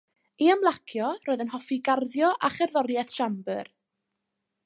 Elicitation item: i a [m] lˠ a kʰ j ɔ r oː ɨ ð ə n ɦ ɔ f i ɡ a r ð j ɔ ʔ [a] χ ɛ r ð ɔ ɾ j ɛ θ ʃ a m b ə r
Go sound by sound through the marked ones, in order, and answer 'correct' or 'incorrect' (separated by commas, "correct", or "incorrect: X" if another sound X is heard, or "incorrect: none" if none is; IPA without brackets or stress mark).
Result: correct, correct